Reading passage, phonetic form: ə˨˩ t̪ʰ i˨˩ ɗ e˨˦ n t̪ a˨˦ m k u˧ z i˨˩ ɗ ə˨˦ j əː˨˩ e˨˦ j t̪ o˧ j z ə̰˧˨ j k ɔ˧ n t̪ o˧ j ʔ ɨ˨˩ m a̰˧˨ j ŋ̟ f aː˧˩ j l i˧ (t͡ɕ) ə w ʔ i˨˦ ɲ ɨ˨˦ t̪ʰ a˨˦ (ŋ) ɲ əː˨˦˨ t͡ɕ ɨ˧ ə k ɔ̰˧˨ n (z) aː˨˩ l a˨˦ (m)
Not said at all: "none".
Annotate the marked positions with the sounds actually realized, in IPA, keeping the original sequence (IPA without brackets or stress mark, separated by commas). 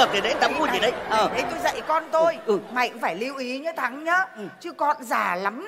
none, ŋ, z, m